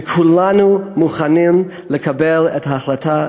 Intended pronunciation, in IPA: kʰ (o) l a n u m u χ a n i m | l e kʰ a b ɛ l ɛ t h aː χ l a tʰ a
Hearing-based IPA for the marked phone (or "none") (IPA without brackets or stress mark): u